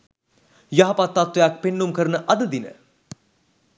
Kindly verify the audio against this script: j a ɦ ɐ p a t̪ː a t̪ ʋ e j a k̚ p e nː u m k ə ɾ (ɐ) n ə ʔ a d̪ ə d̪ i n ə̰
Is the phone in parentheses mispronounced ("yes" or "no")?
yes